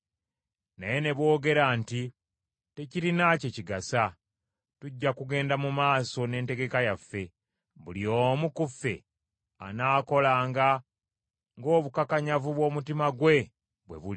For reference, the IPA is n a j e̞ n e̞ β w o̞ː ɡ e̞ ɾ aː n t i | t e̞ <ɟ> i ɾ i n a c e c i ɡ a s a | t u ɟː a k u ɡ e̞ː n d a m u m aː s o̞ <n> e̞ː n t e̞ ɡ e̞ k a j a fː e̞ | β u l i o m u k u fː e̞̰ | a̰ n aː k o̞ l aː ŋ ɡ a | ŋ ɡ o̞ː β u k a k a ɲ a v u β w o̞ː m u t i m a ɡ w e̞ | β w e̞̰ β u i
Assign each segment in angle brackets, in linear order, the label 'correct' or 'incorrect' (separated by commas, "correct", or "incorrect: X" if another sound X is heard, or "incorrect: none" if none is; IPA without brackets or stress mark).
incorrect: c, correct